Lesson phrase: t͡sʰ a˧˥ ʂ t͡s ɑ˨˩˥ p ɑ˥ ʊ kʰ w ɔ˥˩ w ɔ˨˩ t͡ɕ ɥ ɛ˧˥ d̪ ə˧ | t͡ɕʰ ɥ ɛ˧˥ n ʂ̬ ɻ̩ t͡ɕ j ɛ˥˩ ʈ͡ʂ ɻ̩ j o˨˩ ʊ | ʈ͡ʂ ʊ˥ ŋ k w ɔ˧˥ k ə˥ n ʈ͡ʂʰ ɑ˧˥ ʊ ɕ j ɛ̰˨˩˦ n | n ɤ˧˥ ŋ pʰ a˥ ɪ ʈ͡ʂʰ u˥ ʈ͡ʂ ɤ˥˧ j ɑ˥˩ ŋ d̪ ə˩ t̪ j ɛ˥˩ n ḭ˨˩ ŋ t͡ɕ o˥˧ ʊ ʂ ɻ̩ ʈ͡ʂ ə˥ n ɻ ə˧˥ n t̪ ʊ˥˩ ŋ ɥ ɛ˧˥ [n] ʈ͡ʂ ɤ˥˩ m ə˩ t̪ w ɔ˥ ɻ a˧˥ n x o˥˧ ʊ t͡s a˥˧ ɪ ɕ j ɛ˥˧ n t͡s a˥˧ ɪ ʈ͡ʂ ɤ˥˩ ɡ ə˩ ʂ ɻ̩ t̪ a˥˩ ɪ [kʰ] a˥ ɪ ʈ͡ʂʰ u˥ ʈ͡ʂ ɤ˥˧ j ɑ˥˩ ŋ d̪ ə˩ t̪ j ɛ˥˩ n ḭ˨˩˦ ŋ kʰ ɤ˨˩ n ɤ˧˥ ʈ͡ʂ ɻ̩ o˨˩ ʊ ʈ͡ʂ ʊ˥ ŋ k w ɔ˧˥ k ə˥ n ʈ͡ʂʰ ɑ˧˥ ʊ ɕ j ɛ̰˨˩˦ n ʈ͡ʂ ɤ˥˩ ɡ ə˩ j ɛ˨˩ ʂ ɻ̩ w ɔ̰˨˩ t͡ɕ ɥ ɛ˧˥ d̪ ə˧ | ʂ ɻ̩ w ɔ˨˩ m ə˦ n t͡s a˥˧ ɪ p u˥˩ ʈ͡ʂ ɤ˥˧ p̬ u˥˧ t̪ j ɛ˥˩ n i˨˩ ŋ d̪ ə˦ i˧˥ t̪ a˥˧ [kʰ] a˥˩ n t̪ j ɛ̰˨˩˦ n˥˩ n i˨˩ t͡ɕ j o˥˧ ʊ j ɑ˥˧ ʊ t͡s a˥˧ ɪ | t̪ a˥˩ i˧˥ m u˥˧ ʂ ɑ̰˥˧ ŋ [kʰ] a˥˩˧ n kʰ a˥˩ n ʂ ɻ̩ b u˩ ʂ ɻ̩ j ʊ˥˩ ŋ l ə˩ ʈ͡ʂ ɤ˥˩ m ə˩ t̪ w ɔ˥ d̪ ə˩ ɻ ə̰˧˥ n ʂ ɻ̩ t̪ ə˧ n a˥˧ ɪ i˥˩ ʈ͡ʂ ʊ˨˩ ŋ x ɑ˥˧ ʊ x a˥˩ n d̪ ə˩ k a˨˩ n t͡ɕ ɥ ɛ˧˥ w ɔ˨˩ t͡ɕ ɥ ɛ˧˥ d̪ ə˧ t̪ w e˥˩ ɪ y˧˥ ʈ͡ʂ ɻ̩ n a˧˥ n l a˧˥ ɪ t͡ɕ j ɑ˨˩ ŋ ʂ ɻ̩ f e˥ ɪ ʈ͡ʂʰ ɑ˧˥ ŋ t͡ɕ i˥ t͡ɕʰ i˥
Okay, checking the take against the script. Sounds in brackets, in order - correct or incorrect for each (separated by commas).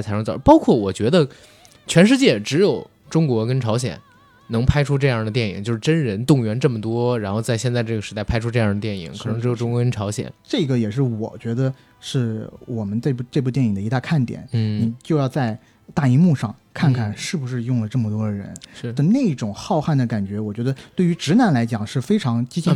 correct, incorrect, correct, correct